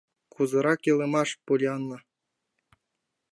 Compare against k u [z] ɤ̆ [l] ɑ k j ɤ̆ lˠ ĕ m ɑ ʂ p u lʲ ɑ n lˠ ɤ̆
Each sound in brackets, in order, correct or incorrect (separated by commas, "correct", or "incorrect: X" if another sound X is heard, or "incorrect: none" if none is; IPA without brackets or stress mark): correct, incorrect: ɾ